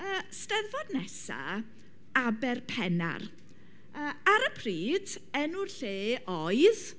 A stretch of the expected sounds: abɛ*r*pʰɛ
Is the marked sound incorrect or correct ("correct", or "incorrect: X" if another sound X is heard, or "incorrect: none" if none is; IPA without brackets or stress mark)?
correct